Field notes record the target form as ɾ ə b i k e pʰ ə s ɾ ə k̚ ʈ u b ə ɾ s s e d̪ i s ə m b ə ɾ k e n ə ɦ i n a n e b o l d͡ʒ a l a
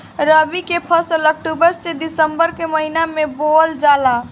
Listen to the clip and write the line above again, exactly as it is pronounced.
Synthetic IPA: ɾ ə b i k e pʰ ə s l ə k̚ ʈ u b ə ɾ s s e d̪ i s ə m b ə ɾ k e m ə ɦ i n a m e b o l d͡ʒ a l a